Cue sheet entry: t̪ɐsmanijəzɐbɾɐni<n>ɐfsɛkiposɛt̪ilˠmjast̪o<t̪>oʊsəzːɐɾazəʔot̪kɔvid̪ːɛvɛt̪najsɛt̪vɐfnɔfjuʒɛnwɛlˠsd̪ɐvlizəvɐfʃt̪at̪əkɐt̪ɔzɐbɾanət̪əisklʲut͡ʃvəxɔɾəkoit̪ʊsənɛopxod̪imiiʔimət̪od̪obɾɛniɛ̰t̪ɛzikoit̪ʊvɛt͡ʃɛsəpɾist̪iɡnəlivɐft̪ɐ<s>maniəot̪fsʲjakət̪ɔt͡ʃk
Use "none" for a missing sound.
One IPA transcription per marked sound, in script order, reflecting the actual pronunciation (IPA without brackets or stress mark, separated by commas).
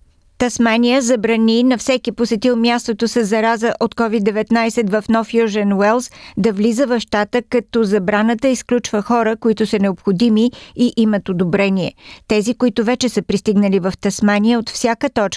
n, t̪, s